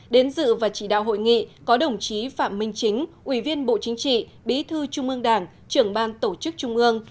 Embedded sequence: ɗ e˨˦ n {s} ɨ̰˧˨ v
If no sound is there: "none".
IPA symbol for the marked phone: z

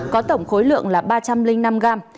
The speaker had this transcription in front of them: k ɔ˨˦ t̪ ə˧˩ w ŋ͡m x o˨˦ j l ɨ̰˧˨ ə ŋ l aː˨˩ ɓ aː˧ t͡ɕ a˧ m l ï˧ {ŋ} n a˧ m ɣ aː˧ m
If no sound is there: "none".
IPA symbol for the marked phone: ŋ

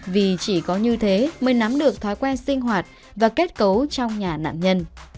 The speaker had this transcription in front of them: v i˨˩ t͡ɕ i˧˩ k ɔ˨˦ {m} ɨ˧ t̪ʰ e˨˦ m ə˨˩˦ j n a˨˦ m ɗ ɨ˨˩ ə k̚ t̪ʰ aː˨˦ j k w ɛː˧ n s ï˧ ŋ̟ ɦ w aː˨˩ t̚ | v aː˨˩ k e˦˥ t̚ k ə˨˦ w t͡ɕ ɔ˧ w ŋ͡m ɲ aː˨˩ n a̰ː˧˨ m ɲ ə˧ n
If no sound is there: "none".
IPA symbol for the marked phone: ɲ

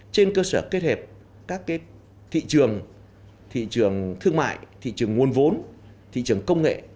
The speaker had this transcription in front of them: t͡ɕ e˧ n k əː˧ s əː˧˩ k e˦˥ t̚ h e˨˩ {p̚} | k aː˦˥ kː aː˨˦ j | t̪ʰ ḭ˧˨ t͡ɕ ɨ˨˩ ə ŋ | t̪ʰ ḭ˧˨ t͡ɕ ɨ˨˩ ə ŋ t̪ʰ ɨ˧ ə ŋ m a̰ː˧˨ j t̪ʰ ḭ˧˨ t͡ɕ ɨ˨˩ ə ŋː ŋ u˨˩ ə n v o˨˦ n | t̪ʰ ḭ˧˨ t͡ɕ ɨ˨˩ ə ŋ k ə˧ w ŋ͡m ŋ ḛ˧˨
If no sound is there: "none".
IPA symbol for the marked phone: p̚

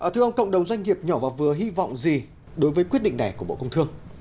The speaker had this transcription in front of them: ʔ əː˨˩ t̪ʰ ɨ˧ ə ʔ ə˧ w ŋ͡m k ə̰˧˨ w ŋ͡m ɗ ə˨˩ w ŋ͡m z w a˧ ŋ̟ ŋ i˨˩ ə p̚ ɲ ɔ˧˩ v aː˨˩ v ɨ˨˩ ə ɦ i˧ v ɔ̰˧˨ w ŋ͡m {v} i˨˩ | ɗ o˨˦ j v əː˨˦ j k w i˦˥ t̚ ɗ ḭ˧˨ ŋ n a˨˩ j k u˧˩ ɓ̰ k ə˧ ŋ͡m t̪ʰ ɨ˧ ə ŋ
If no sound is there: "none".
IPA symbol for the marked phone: z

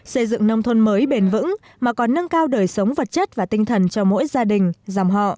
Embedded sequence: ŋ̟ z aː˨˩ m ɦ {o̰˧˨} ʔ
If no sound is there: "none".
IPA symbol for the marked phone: ɔ̰˧˨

